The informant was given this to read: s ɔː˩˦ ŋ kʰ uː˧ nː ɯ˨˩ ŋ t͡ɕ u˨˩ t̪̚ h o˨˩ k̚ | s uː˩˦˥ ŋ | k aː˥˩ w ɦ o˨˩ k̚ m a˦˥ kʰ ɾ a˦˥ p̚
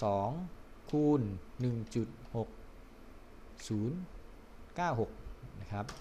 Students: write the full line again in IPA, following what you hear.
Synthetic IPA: s ɔː˩˦ ŋ kʰ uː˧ nː ɯ˨˩ ŋ t͡ɕ u˨˩ t̪̚ h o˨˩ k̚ | s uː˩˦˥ n | k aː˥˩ w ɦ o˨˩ k̚ n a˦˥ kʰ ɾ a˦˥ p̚